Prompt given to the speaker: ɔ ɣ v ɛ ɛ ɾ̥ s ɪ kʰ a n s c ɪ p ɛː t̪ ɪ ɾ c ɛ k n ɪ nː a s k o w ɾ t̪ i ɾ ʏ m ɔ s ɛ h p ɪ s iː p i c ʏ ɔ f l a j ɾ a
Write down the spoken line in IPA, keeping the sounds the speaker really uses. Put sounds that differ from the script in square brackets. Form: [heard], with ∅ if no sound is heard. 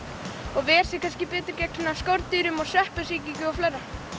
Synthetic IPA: ɔ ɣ v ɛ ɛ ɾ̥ s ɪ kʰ a n s c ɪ p ɛː t̪ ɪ ɾ c ɛ k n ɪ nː a s k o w ɾ t̪ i ɾ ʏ m ɔ s ɛ h p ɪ s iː [c] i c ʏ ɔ f l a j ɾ a